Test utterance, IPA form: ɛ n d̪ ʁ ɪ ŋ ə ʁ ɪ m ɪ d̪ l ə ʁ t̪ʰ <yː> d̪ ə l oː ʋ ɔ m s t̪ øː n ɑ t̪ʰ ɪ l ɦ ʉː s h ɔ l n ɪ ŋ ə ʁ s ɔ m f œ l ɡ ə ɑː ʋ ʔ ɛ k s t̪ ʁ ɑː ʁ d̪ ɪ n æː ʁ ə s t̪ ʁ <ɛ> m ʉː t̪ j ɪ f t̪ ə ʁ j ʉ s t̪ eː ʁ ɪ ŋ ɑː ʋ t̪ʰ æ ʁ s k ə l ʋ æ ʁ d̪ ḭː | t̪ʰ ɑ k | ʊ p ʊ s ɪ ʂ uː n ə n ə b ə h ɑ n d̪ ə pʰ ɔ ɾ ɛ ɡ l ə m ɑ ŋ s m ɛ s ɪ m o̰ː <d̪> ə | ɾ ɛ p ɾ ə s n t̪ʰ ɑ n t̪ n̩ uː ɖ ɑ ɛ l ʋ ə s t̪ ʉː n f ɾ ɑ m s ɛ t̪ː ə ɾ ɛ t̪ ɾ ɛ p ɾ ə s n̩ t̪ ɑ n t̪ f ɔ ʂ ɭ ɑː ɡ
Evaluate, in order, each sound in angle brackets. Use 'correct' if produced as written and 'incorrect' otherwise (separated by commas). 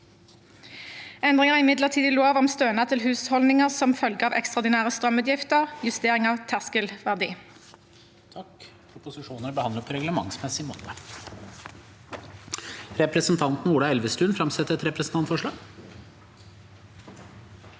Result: incorrect, incorrect, incorrect